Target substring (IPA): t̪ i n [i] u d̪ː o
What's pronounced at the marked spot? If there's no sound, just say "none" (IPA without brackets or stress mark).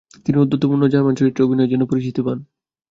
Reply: i